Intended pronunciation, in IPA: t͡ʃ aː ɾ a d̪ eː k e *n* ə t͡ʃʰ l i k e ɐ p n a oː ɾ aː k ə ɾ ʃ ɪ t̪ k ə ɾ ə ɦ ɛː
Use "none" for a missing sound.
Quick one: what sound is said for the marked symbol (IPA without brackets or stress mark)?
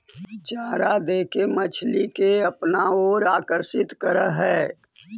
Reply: m